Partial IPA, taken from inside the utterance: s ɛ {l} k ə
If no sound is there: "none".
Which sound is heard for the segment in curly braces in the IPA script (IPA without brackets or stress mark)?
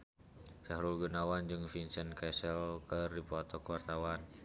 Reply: l